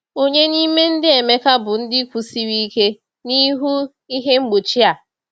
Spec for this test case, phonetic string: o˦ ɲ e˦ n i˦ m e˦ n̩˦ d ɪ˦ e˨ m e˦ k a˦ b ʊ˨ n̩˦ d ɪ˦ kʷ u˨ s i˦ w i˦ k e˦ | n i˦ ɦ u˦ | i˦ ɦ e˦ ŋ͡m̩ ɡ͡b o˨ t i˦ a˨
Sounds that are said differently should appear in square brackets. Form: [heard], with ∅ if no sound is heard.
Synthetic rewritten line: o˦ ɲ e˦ n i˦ m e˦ n̩˦ d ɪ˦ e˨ m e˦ k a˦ b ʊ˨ n̩˦ d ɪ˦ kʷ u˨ s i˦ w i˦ k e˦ | n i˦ ɦ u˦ | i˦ ɦ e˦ ŋ͡m̩ ɡ͡b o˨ [t͡ʃ] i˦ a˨